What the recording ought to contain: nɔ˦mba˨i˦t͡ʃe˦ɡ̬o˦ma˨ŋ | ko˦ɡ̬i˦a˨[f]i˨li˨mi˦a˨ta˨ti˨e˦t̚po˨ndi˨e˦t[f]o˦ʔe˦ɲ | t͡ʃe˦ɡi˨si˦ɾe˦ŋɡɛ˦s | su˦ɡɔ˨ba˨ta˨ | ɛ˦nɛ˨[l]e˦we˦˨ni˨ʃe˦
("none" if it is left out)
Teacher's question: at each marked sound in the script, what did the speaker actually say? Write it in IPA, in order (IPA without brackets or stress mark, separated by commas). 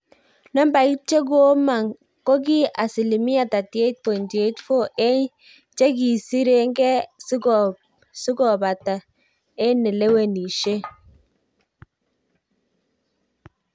s, f, l